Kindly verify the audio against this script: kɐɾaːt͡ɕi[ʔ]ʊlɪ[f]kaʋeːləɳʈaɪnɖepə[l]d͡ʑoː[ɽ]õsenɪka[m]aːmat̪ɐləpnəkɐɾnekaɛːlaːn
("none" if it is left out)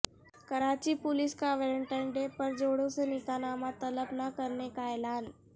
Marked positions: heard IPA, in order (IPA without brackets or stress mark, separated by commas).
p, s, ɾ, ɽ, n